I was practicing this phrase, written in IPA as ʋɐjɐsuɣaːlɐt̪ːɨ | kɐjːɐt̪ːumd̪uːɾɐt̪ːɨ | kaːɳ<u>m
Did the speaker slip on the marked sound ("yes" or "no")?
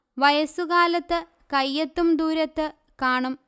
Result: no